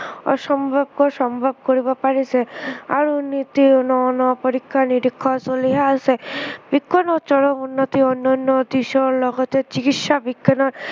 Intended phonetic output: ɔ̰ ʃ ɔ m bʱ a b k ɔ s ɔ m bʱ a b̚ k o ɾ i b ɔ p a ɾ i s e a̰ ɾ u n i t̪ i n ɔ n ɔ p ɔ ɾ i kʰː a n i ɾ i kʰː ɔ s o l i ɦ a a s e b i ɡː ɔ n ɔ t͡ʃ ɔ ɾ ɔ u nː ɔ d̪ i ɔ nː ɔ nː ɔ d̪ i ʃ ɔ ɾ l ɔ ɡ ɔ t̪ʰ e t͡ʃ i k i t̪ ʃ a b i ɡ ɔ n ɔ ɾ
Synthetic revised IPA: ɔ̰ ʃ ɔ m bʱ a b k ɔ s ɔ m bʱ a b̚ k o ɾ i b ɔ p a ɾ i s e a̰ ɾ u n i t̪ i n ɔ n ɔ p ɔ ɾ i kʰː a n i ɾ i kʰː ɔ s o l i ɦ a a s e b i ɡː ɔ n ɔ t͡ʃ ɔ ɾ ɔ u nː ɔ t̪ i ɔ nː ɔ nː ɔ d̪ i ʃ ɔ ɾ l ɔ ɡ ɔ t̪ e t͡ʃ i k i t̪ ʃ a b i ɡ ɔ n ɔ ɾ